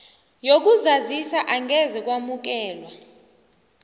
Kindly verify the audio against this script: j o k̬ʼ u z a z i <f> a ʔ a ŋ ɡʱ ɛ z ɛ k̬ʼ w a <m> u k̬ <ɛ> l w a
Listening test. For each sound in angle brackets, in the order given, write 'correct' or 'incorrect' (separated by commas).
incorrect, correct, incorrect